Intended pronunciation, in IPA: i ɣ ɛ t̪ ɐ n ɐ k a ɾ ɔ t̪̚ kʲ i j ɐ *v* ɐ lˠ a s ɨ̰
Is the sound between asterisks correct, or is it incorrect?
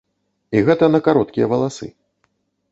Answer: correct